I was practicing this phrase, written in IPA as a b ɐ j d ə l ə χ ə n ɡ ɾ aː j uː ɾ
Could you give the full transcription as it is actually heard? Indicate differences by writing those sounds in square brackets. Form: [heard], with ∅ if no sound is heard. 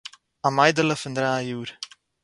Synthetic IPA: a [m] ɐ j d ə l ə [f] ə n [d] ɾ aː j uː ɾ

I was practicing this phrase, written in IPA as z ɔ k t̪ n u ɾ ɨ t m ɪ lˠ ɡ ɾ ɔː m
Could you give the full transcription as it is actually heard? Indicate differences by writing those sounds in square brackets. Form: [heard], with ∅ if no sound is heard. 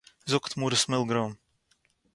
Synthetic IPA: z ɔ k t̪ [m] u ɾ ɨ [s] m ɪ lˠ ɡ ɾ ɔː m

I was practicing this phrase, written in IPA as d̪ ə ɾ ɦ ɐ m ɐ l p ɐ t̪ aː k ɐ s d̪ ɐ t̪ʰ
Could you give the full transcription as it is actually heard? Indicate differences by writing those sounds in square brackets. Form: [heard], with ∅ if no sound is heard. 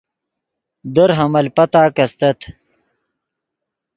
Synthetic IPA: d̪ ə ɾ ɦ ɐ m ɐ l p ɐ t̪ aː k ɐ s [t̪] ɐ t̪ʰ

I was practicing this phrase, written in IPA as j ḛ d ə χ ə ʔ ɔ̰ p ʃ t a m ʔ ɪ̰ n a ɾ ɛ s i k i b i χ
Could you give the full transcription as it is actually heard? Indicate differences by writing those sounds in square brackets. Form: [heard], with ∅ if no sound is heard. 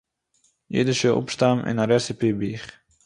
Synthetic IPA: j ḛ d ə [ʃ] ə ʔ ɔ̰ p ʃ t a m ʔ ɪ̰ n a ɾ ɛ s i [p] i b i χ

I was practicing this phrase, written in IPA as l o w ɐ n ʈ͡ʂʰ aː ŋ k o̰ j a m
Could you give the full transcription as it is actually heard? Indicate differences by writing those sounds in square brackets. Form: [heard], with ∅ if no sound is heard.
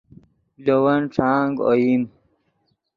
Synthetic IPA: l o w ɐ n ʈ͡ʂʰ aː ŋ [ɡ] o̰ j [i] m

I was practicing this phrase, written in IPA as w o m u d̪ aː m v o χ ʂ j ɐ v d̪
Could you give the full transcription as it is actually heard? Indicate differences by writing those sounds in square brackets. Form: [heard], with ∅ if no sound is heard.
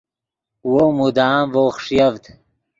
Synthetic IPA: w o m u d̪ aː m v o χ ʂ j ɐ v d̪

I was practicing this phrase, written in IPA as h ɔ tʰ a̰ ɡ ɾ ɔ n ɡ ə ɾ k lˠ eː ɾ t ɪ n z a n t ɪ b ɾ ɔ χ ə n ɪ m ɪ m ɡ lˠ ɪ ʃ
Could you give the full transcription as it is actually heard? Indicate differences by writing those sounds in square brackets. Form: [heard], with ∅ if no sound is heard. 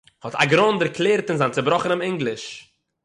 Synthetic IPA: h ɔ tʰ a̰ ɡ ɾ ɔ n [d] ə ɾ k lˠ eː ɾ t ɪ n z a n [t͡s] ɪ b ɾ ɔ χ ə n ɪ m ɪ [ŋ] ɡ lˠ ɪ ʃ

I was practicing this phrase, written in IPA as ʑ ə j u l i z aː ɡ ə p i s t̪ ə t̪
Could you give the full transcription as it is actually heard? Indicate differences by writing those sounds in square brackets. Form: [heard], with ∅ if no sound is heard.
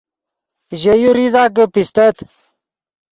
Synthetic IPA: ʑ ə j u [ɾ] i z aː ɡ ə p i s t̪ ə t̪

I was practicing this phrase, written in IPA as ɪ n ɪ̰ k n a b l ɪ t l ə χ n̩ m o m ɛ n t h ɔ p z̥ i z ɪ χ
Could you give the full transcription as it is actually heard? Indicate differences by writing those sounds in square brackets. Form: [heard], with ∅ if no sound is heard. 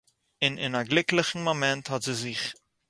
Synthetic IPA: ɪ n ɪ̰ [∅] n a [ɡ] l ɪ [k] l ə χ n̩ m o m ɛ n t h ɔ [t] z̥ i z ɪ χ

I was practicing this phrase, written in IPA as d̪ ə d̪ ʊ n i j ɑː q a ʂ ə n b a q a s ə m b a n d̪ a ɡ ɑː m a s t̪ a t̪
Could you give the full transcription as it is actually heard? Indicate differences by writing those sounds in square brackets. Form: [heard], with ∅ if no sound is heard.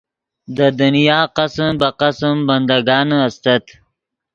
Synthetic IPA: d̪ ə d̪ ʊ n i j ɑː q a [s] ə [m] b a q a s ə m b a n d̪ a ɡ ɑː [n] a s t̪ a t̪

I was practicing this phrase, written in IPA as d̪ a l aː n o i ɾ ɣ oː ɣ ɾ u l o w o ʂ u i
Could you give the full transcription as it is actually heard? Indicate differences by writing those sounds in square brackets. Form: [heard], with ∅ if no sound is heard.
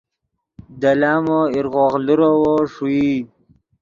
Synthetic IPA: d̪ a l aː [m] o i ɾ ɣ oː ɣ [l] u [ɾ] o w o ʂ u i

